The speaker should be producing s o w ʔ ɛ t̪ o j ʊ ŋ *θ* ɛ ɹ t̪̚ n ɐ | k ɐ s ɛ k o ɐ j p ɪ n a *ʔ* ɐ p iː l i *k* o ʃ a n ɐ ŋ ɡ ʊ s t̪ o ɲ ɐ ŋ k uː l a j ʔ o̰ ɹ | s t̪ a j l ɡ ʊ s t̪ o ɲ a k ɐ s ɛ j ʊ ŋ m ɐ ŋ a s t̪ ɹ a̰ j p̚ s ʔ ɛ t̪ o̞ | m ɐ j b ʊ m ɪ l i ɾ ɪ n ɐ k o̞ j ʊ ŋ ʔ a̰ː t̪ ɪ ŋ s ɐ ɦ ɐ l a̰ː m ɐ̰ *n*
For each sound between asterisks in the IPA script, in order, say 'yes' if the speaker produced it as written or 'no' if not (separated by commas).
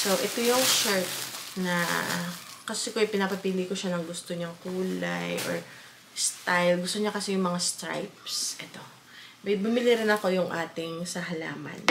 no, no, yes, yes